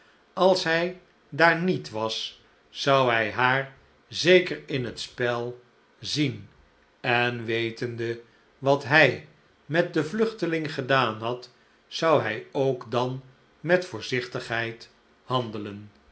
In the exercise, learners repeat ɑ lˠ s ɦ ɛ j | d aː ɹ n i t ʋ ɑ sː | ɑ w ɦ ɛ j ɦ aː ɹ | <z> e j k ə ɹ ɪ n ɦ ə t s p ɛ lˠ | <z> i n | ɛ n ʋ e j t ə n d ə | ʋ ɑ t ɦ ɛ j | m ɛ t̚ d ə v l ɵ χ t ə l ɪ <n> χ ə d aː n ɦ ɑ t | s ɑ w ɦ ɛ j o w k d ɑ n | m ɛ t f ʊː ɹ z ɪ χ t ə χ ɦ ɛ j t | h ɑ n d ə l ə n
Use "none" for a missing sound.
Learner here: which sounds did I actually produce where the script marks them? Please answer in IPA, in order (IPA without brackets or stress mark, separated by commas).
z, z, ŋ